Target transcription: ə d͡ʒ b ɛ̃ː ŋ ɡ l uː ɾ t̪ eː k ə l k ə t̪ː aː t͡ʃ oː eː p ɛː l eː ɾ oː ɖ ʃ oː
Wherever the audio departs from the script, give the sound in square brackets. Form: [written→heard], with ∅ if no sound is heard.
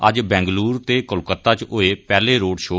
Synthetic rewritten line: ə d͡ʒ b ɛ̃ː ŋ ɡ l uː ɾ t̪ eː k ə l k ə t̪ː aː t͡ʃ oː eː p ɛː l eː ɾ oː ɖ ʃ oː